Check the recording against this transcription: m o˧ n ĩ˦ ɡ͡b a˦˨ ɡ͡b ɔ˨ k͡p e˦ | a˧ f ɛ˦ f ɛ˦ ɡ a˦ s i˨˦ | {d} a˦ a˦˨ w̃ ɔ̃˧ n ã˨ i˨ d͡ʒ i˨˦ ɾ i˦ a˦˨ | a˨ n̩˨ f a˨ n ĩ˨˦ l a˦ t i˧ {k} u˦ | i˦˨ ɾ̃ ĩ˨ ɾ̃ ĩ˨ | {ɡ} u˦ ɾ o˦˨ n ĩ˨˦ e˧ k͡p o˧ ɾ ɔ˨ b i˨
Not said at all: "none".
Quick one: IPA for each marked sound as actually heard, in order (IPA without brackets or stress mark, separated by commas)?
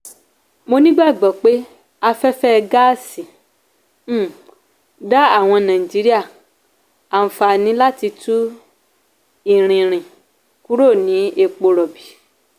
d, t, k